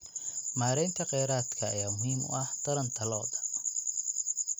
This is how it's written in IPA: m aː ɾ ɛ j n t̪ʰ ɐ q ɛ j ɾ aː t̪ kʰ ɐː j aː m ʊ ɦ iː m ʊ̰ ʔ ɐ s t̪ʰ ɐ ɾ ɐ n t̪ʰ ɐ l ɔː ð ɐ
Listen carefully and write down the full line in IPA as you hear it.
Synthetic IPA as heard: m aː ɾ ɛ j n t̪ʰ ɐ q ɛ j ɾ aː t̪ kʰ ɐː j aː m ʊ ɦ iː m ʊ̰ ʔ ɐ h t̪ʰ ɐ ɾ ɐ n t̪ʰ ɐ l ɔː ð ɐ